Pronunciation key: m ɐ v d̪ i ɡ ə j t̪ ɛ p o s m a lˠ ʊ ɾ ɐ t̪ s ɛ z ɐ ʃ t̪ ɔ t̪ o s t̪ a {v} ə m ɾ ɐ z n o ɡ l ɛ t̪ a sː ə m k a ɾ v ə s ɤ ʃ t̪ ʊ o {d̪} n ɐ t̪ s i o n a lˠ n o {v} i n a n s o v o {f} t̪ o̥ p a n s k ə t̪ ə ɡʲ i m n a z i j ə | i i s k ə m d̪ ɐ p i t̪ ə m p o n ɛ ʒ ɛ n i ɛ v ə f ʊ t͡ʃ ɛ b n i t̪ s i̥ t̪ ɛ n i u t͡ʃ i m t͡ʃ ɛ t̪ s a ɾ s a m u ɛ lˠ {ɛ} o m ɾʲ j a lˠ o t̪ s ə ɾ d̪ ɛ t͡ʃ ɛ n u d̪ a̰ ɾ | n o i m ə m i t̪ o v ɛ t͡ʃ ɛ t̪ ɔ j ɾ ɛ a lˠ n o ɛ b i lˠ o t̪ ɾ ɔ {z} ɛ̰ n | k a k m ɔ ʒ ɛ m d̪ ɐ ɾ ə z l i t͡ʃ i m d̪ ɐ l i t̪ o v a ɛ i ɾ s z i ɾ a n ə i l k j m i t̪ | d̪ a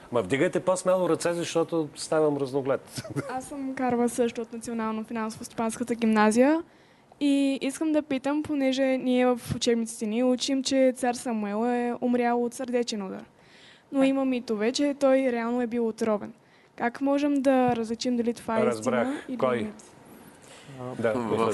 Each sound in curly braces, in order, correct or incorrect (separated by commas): correct, incorrect, incorrect, incorrect, correct, incorrect